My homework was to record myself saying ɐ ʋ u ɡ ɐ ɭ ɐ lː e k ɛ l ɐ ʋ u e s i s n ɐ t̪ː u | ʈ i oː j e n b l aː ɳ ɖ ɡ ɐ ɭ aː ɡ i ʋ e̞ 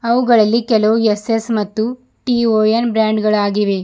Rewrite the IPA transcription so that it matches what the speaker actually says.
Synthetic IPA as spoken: ɐ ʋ u ɡ ɐ ɭ ɐ lː i k ɛ l ɐ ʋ u e s e s m ɐ t̪ː u | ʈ i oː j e n b ɾ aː ɳ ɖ ɡ ɐ ɭ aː ɡ i ʋ e̞